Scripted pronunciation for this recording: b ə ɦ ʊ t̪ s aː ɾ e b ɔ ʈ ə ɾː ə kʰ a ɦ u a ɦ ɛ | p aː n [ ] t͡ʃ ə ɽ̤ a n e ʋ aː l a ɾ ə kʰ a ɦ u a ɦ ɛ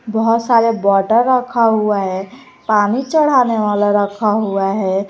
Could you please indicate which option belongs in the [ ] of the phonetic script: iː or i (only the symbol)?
i